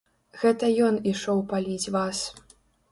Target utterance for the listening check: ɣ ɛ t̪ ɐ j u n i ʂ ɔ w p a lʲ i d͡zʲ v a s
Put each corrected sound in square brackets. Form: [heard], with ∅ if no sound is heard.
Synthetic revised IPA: ɣ ɛ t̪ ɐ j [ɔ] n i ʂ ɔ w p a lʲ i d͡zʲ v a s